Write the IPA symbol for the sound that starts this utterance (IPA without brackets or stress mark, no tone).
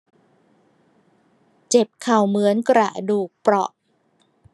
t͡ɕ